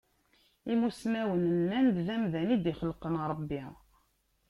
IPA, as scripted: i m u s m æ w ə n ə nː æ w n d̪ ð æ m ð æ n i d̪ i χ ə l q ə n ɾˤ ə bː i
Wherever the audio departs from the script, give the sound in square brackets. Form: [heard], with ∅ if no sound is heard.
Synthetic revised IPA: i m u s m æ w ə n ə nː æ [∅] n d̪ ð æ m ð æ n i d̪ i χ ə l q ə n ɾˤ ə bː i